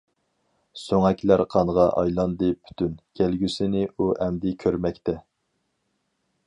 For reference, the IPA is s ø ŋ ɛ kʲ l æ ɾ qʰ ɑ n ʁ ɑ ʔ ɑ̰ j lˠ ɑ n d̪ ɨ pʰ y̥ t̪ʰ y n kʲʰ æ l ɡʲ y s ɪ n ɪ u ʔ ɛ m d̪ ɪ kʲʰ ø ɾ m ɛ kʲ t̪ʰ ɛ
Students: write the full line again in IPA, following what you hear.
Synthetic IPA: s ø ŋ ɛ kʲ l æ ɾ qʰ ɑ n ʁ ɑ ʔ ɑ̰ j lˠ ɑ n d̪ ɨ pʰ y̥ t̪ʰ y n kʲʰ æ l ɡʲ y s ɪ n ɪ u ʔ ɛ m d̪ ɪ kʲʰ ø ɾ m ɛ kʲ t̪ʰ ɛ